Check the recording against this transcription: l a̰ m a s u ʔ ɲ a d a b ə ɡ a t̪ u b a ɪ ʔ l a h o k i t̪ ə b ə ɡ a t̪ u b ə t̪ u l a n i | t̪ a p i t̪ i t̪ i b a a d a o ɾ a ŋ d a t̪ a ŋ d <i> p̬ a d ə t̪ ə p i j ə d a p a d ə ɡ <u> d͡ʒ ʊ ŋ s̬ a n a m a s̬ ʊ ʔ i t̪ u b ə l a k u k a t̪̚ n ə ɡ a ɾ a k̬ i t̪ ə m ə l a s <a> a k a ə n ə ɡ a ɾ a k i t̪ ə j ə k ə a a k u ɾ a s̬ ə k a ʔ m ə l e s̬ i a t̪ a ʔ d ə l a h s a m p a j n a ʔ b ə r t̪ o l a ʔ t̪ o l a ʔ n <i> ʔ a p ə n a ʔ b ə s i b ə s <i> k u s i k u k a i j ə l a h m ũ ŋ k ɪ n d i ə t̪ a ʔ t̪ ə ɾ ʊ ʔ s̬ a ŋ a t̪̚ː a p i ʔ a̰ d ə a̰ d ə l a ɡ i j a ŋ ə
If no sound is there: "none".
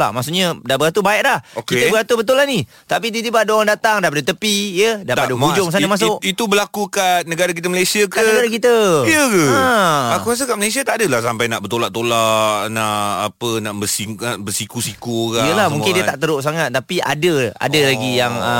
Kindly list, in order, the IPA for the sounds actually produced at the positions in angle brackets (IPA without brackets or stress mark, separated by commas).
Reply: a, u, i, a, i